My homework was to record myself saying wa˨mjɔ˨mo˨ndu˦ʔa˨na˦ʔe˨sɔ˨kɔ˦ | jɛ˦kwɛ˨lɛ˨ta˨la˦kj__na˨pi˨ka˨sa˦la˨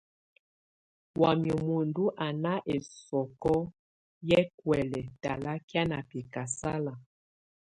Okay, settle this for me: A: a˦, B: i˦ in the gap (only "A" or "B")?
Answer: A